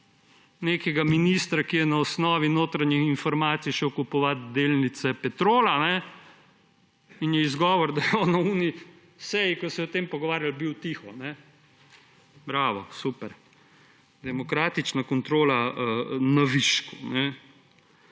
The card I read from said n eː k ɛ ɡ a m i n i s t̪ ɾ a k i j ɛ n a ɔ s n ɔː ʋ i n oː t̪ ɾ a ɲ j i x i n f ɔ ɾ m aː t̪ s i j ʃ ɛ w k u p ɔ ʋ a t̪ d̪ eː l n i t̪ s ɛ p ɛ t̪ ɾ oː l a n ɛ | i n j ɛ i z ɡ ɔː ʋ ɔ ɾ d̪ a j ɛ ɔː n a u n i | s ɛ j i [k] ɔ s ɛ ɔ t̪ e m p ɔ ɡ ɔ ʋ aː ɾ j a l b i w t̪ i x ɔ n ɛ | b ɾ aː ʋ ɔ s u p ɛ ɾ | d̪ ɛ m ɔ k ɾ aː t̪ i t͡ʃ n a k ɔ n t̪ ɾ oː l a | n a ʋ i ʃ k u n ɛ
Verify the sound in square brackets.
correct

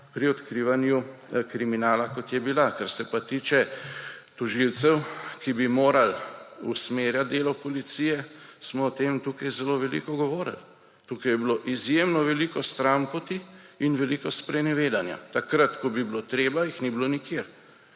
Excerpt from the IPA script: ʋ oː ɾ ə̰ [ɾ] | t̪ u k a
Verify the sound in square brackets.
incorrect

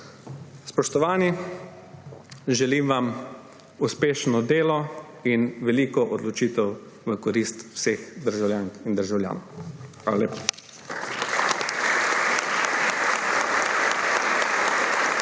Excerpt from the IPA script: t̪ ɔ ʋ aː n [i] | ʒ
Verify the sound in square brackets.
correct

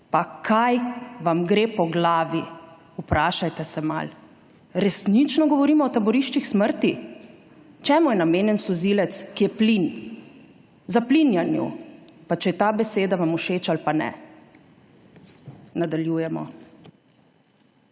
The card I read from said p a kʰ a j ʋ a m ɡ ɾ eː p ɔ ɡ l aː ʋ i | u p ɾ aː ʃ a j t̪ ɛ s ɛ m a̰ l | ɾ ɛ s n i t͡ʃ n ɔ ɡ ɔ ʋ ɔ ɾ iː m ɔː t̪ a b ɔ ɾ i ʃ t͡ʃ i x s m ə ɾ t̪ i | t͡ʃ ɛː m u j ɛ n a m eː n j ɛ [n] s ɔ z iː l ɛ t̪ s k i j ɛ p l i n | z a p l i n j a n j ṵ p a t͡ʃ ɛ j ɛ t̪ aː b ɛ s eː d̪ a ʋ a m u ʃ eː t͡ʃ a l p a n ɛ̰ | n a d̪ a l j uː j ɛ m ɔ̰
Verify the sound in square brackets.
correct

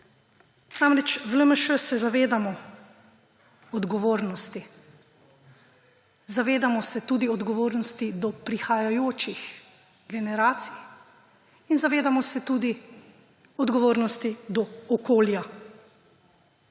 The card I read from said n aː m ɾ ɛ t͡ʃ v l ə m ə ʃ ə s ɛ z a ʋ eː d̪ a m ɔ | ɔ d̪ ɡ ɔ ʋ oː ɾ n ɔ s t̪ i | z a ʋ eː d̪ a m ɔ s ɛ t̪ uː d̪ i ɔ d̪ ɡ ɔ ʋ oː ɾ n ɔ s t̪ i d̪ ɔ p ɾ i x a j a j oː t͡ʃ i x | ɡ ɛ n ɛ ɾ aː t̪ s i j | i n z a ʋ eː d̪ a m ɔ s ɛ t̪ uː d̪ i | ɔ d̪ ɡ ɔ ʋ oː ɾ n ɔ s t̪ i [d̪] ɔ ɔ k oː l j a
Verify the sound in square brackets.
correct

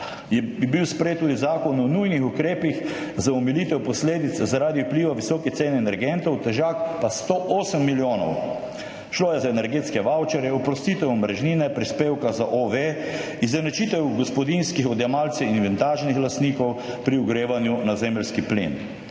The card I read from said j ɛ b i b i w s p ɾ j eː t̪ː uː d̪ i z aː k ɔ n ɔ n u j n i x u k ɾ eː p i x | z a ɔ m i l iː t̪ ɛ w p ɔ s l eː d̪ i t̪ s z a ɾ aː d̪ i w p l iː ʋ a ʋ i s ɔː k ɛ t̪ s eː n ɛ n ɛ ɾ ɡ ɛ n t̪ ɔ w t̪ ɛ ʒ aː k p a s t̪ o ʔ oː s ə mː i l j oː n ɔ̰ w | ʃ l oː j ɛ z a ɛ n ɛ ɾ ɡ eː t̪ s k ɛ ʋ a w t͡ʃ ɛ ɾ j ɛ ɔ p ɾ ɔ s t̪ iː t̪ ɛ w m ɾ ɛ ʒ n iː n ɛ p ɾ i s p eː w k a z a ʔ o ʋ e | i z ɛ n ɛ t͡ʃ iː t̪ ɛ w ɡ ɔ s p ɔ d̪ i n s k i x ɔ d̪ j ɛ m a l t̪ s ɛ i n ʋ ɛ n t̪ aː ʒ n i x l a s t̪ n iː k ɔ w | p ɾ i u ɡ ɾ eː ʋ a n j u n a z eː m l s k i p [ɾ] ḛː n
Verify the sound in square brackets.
incorrect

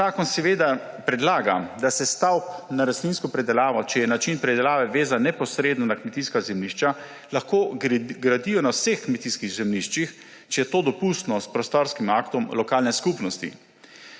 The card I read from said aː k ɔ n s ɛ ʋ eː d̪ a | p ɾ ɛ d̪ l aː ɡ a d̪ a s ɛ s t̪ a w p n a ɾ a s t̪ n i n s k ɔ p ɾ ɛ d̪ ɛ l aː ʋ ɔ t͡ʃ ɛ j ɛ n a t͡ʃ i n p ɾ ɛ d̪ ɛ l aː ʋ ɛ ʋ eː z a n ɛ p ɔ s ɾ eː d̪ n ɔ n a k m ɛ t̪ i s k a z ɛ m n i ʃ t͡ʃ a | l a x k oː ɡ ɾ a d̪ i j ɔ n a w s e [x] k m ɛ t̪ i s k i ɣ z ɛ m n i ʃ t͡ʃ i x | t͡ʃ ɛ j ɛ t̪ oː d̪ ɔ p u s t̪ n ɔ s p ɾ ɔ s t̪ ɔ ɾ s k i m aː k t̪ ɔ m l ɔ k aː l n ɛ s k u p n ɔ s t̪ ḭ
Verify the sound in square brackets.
correct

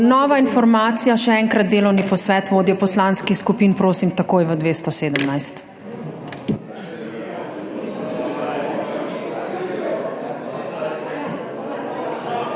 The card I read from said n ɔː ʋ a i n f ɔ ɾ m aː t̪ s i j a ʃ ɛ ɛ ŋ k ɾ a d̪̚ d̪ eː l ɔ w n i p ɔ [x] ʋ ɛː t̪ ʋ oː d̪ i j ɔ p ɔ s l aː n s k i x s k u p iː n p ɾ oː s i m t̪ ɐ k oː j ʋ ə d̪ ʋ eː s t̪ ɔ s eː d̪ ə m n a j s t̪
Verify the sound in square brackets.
incorrect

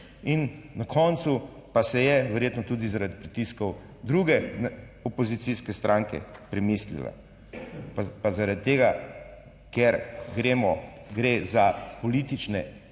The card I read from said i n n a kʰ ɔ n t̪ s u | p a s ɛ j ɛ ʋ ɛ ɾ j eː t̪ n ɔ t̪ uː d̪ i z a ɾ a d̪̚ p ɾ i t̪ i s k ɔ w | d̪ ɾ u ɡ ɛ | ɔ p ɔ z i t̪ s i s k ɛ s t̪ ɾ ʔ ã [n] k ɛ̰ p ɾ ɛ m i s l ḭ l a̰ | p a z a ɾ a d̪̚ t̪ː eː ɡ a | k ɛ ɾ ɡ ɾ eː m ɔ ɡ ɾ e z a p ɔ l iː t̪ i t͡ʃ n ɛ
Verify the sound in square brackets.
incorrect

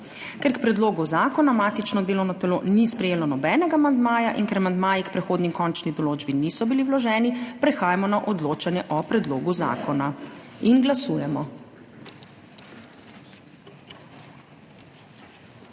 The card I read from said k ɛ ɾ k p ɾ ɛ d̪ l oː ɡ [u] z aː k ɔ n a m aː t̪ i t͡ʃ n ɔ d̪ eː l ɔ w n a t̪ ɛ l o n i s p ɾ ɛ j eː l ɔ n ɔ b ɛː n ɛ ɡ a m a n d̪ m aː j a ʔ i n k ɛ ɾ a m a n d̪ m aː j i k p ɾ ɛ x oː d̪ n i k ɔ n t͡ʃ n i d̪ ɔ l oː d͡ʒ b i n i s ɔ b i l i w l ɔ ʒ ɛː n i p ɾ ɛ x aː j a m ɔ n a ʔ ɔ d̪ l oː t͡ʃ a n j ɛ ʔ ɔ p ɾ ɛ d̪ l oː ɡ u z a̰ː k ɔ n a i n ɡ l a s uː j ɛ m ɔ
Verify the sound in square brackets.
correct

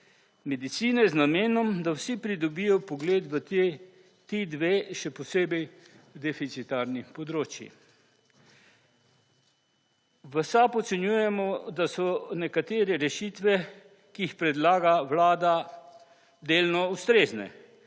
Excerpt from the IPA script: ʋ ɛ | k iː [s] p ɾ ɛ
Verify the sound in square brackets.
incorrect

